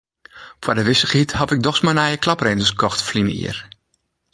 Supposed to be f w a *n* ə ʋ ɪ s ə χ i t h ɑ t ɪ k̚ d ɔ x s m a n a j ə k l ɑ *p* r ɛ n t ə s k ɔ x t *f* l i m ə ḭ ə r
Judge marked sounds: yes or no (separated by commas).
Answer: no, yes, yes